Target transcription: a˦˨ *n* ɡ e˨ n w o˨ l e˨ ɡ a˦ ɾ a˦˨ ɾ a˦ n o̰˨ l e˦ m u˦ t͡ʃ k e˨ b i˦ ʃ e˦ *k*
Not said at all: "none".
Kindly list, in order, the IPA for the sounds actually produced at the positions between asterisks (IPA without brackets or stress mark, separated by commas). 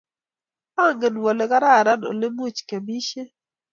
ŋ, none